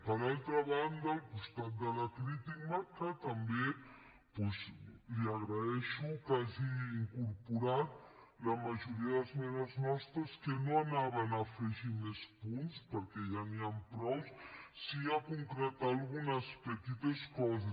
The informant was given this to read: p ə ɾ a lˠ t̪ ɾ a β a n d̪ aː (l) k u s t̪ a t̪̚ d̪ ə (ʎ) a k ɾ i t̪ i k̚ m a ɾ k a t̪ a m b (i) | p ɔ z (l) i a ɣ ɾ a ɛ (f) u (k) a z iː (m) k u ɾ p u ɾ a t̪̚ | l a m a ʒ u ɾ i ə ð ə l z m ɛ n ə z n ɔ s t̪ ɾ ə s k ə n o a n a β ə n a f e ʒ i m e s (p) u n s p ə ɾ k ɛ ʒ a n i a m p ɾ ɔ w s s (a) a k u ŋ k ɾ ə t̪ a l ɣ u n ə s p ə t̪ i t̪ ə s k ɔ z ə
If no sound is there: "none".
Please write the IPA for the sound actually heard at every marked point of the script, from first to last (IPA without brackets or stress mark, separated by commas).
l, l, e, l, ʃ, k, ŋ, p, i